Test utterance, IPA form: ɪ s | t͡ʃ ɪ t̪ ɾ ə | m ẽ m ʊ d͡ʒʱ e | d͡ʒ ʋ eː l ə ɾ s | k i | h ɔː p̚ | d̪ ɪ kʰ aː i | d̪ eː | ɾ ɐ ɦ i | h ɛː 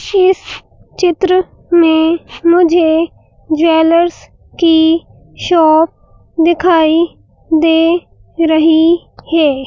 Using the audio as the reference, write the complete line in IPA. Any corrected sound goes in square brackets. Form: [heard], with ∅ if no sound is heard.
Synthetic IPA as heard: ɪ s | t͡ʃ ɪ t̪ ɾ ə | m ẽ m ʊ d͡ʒʱ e | d͡ʒ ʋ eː l ə ɾ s | k i | [ʃ] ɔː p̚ | d̪ ɪ kʰ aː i | d̪ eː | ɾ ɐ ɦ i | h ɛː